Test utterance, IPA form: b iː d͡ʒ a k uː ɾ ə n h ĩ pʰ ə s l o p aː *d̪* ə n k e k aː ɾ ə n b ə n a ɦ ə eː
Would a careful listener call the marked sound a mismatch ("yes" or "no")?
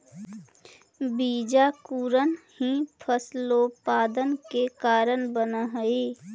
no